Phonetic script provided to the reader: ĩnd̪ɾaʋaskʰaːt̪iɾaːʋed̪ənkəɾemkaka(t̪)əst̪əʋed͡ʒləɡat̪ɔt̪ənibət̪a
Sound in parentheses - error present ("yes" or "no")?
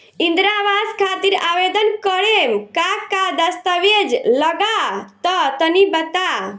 yes